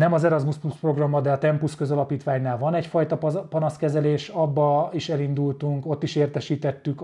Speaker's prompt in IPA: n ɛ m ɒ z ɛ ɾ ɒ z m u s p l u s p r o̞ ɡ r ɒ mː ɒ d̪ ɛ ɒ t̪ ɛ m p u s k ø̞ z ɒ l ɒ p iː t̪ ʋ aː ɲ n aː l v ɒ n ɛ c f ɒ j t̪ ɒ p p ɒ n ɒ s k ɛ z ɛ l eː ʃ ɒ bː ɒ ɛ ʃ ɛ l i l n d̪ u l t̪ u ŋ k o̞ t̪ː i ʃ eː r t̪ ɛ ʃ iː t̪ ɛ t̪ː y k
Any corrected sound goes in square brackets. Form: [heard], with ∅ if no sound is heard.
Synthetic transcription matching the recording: n ɛ m ɒ z ɛ ɾ ɒ z m u s p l u s p r o̞ ɡ r ɒ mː ɒ d̪ ɛ ɒ t̪ ɛ m p u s k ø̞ z ɒ l ɒ p iː t̪ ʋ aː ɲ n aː l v ɒ n ɛ c f ɒ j t̪ ɒ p p ɒ n ɒ s k ɛ z ɛ l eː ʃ ɒ bː ɒ [i] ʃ ɛ l i [∅] n d̪ u l t̪ u ŋ k o̞ t̪ː i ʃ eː r t̪ ɛ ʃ iː t̪ ɛ t̪ː y k